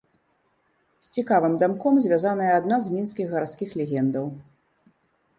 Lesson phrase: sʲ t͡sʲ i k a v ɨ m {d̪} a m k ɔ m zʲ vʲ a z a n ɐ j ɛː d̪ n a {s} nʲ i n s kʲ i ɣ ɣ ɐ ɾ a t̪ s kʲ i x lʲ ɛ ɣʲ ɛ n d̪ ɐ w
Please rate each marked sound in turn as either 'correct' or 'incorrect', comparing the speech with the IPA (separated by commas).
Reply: correct, incorrect